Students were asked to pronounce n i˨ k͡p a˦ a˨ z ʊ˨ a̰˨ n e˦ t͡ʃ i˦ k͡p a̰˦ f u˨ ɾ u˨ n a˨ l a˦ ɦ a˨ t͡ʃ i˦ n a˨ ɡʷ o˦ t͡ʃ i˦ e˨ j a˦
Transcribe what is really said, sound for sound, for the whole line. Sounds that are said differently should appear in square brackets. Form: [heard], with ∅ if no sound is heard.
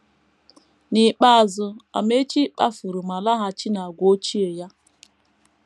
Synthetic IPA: n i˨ k͡p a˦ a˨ z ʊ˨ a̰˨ [m] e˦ t͡ʃ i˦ k͡p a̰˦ f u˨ ɾ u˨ [m] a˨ l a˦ ɦ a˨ t͡ʃ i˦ n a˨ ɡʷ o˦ t͡ʃ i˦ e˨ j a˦